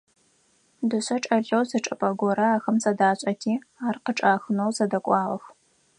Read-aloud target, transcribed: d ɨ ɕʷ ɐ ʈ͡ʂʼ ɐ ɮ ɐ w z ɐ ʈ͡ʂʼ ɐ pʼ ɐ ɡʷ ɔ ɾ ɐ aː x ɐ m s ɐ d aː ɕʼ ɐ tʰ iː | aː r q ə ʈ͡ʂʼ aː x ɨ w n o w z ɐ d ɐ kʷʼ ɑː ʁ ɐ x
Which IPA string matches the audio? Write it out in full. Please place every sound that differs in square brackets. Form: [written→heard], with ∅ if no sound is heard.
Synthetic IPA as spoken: d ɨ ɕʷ ɐ ʈ͡ʂʼ ɐ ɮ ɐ w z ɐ ʈ͡ʂʼ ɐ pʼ ɐ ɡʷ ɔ ɾ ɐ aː x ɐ m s ɐ d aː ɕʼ ɐ tʰ iː | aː r q ə ʈ͡ʂʼ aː x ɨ [w→∅] n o w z ɐ d ɐ kʷʼ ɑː ʁ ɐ x